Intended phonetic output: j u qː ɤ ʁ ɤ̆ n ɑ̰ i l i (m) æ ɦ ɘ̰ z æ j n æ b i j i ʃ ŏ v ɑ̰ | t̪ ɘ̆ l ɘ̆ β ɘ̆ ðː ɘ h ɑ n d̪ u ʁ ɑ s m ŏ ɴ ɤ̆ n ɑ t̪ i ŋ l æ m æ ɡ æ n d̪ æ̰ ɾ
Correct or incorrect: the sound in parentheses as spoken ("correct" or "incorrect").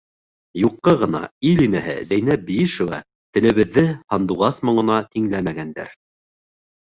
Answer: incorrect